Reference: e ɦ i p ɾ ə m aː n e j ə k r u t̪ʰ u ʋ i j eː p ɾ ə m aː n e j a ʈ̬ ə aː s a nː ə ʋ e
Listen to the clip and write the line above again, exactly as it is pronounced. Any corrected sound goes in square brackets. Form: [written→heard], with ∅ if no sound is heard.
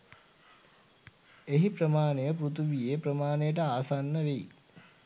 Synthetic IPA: e ɦ i p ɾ ə m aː n e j ə [k→p] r u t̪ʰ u ʋ i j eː p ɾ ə m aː n e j [a→ə] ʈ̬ ə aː s a nː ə ʋ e